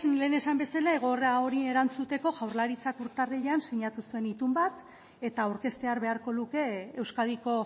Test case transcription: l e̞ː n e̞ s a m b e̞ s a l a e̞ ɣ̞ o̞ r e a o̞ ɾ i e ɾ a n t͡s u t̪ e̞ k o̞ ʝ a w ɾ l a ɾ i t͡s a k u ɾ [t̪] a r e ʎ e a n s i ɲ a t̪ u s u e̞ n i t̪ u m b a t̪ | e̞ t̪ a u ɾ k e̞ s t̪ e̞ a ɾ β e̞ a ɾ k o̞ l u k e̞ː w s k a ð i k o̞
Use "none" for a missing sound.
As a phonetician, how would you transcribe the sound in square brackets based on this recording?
t̪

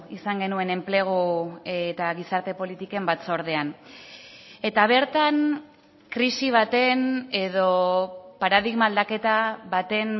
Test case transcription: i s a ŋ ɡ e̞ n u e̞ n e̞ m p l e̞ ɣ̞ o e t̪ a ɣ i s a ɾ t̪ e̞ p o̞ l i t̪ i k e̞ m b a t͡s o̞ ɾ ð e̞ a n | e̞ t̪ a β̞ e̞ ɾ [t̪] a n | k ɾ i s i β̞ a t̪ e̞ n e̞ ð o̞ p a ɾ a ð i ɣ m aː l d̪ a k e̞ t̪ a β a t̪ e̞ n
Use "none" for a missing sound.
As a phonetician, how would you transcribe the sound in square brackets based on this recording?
t̪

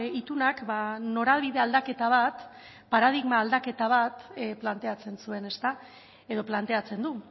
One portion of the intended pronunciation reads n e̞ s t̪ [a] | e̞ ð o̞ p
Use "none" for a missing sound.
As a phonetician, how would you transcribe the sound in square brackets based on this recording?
a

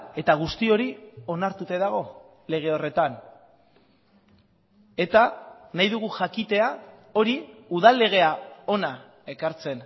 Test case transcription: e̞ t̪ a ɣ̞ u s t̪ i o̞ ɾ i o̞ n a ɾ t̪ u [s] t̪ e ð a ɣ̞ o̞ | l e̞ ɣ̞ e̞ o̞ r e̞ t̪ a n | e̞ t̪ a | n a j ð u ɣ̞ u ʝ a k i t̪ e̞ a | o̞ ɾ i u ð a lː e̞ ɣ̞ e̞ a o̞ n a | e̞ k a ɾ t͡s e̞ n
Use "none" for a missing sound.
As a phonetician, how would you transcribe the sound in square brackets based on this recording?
none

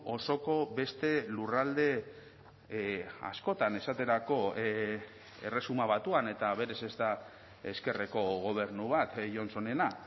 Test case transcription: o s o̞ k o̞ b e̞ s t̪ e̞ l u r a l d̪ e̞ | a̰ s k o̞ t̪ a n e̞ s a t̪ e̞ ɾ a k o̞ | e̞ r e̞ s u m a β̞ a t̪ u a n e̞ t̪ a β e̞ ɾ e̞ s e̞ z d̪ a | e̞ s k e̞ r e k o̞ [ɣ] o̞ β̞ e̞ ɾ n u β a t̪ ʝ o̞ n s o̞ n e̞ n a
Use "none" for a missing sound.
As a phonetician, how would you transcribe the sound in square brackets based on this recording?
ɣ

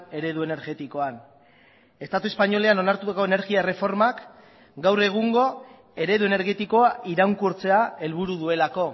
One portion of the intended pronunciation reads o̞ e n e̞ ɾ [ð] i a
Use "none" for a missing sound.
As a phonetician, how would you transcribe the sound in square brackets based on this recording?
ɣ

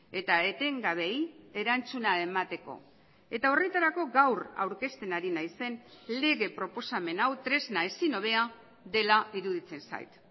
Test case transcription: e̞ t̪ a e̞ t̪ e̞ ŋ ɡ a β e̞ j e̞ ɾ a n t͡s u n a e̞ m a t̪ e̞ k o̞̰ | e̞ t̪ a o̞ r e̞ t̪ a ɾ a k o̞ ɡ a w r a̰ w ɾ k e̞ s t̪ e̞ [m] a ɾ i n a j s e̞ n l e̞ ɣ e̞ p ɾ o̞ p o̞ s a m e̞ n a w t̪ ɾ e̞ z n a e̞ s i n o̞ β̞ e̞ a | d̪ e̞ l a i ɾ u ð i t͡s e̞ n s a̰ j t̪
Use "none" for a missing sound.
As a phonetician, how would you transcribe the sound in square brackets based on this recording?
n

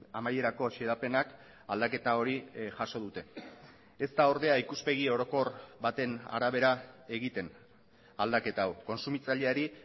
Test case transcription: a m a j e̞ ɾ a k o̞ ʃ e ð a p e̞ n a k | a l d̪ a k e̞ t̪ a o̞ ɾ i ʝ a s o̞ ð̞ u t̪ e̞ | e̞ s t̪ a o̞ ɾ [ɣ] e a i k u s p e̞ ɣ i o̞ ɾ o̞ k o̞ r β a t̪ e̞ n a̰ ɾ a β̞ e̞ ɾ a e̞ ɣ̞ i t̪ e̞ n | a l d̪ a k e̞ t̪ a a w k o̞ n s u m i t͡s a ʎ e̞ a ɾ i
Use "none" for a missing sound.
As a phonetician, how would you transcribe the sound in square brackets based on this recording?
ð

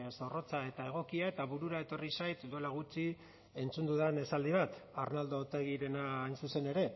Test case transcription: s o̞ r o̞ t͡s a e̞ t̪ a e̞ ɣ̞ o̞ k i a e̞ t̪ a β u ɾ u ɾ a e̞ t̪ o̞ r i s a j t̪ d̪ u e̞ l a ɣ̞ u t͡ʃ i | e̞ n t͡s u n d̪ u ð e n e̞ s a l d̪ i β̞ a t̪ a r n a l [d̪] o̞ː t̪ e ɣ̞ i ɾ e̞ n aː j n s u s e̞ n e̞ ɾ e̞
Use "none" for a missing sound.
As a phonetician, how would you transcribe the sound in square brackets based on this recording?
d̪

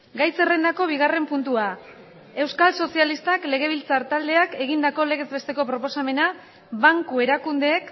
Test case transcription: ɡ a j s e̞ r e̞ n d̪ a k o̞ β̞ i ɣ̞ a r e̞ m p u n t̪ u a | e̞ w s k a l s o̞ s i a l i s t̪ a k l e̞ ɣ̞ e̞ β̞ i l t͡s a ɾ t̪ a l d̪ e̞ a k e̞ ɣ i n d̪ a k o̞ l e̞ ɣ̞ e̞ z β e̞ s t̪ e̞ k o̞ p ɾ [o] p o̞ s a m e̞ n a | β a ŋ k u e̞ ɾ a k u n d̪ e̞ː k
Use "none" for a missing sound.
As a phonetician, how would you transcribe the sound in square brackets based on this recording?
o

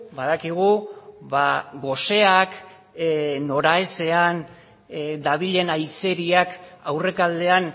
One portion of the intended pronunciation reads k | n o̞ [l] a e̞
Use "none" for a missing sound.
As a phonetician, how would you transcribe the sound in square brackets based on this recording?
ɾ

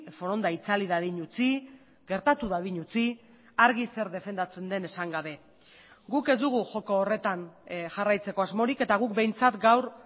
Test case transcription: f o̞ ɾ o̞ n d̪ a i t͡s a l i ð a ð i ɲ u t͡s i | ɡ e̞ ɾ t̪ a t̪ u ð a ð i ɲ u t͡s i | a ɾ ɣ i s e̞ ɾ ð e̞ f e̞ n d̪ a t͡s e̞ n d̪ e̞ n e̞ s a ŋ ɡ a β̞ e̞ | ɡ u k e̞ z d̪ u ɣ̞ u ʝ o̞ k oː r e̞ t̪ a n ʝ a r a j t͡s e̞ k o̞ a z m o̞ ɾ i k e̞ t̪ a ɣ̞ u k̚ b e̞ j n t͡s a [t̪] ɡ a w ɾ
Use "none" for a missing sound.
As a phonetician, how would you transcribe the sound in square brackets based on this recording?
t̪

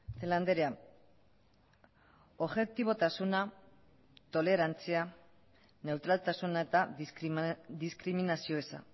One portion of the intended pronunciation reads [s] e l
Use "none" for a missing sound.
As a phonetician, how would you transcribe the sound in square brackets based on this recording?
θ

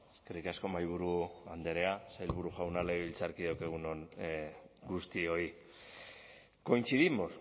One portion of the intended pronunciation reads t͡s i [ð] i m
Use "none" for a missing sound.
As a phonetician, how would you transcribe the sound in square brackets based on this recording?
ð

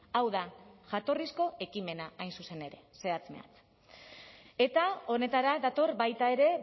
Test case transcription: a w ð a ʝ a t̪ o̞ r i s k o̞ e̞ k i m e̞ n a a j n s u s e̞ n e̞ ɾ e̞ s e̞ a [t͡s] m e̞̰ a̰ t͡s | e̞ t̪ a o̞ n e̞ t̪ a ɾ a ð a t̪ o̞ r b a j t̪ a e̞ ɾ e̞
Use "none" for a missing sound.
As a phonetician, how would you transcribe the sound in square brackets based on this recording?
t͡s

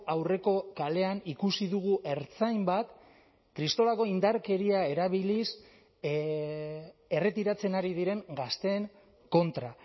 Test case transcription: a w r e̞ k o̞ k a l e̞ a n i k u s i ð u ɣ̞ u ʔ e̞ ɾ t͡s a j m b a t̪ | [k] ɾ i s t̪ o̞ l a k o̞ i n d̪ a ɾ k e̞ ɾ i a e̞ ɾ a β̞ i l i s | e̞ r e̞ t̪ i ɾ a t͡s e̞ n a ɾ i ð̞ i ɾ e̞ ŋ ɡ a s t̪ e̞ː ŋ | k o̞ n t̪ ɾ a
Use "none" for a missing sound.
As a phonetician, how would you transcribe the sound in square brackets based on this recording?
k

